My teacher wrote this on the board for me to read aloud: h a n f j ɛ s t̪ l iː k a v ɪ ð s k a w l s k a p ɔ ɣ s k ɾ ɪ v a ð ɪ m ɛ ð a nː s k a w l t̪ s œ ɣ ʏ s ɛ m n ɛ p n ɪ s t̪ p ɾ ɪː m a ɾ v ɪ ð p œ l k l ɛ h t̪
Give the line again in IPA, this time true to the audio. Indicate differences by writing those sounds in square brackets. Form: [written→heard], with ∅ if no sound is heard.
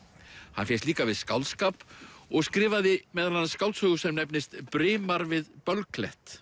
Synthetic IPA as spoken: h a n f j ɛ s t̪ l iː k a v ɪ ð s k a w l s k a p ɔ ɣ s k ɾ [ɪ→ɪː] v a ð ɪ m ɛ ð a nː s k a w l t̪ s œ ɣ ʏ s ɛ m n ɛ p n ɪ s t̪ p ɾ ɪː m a ɾ v ɪ ð p œ l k l ɛ h t̪